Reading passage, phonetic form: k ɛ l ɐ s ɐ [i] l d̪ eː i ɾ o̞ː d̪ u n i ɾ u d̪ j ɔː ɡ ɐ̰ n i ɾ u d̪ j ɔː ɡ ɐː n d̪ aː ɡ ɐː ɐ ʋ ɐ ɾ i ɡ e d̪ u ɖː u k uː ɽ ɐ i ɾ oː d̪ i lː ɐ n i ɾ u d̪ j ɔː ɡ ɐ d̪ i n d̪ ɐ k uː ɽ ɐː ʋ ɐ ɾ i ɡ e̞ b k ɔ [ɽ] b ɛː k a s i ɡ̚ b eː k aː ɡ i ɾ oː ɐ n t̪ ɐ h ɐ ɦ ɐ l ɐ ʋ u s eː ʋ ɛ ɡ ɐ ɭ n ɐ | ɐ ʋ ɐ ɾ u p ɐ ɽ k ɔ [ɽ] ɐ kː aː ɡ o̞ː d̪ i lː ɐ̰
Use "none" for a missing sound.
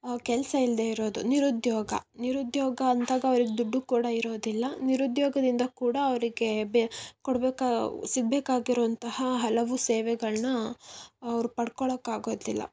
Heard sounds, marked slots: i, ɽ, ɭ

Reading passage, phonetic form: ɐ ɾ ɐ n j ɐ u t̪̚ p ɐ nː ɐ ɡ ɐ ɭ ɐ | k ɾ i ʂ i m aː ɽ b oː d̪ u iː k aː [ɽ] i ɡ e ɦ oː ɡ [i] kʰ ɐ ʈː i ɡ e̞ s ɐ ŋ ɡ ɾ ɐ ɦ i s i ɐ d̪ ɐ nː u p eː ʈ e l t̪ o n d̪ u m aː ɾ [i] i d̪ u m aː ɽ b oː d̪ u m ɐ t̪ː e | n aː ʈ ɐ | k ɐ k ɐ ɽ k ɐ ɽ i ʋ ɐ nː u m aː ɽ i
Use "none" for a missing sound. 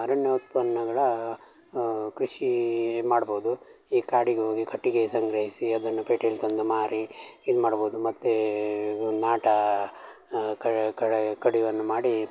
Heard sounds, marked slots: ɽ, i, i

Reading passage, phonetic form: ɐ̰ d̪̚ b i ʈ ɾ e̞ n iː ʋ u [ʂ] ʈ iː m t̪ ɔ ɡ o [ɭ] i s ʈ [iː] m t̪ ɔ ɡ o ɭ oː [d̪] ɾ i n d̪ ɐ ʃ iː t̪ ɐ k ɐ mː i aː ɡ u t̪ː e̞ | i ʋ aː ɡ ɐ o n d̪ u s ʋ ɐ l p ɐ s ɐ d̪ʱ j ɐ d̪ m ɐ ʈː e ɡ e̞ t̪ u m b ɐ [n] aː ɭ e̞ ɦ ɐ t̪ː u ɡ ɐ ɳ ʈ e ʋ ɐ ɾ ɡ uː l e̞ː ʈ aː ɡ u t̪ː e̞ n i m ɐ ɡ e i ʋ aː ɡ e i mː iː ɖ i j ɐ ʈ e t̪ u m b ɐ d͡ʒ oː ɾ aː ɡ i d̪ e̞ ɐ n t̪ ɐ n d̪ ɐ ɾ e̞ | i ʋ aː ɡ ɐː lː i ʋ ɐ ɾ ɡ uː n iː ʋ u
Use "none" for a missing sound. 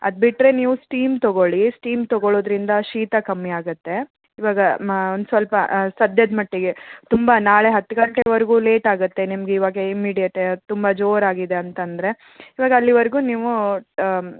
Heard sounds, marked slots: s, ɭ, iː, d̪, n

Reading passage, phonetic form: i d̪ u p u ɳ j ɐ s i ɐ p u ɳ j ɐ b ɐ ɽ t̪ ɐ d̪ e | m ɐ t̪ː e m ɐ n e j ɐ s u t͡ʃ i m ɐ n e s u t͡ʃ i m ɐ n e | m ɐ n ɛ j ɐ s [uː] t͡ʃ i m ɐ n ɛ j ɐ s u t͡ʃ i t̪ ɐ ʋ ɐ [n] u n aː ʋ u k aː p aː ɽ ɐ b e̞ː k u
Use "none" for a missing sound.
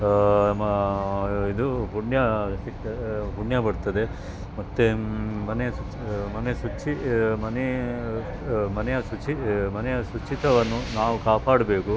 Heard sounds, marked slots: u, nː

